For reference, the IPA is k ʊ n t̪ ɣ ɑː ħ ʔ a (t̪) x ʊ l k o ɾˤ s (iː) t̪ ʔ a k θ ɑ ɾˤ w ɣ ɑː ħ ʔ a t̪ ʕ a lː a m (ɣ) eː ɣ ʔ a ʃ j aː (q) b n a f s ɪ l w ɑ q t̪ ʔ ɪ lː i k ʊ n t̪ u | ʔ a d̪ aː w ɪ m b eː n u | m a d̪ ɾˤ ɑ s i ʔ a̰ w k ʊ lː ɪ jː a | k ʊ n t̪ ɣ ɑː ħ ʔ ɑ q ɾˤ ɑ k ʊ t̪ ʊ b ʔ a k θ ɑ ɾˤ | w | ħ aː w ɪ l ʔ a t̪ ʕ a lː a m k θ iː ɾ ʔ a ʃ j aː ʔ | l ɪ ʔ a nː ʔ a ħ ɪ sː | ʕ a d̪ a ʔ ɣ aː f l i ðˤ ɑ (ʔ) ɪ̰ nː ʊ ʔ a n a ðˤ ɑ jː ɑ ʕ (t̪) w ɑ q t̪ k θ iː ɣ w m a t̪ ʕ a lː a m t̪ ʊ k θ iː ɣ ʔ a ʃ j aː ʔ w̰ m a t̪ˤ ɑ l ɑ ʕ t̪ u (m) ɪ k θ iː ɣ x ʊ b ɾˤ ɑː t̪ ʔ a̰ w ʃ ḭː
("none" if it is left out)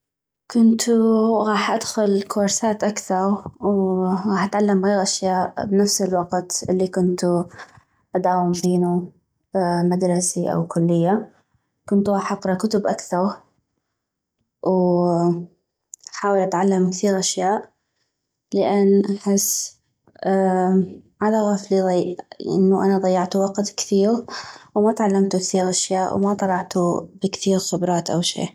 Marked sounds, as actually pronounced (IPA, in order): d̪, aː, ɣ, ʔ, ʔ, t̪, b

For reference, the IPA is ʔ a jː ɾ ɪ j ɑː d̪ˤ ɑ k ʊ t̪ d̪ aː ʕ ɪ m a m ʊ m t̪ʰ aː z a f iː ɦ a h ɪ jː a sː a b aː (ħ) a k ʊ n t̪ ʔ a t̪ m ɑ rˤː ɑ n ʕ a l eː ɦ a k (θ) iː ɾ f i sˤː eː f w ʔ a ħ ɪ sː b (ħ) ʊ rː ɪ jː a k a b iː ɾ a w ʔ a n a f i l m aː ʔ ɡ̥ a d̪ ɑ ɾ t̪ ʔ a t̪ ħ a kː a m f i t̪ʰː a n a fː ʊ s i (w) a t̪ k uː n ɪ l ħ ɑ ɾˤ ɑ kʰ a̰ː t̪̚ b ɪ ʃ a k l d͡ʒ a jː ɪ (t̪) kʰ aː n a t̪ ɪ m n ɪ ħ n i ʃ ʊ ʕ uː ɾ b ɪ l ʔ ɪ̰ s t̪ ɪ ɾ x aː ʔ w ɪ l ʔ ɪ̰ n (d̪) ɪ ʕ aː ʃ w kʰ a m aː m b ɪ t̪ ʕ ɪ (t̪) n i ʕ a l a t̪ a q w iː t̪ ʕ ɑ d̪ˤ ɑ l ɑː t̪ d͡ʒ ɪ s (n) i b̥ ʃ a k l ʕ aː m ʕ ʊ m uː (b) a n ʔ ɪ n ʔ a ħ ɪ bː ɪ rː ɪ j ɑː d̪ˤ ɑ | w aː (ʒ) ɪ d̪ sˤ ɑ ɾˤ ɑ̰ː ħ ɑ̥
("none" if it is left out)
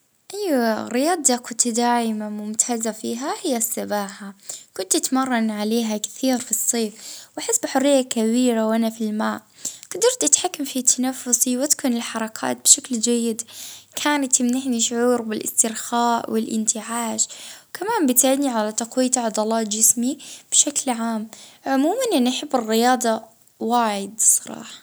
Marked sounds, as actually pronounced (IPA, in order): ħ, θ, ħ, w, d̪, t̪, d̪, m, m, ʕ

